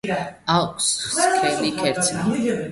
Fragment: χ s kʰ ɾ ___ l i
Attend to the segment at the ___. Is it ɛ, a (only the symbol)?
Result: ɛ